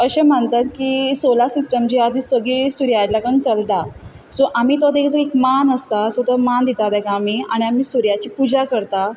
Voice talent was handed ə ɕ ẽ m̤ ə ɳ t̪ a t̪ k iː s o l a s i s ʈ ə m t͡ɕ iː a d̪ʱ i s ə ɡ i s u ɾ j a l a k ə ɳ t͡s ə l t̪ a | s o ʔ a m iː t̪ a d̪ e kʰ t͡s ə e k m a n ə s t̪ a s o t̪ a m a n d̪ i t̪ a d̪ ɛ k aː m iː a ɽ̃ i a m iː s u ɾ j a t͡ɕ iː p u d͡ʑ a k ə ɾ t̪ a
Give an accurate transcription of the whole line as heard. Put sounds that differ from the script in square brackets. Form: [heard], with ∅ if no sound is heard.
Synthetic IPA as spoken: ə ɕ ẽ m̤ ə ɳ t̪ a t̪ k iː s o l a s i s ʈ ə m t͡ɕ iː a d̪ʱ i s ə ɡ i s u ɾ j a l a k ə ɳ t͡s ə l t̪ a | s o ʔ a m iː t̪ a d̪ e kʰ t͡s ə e k m a n ə s t̪ a s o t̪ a m a n d̪ i t̪ a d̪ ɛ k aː m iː a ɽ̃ i a m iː s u ɾ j a t͡ɕ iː p u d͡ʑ a k ə ɾ t̪ a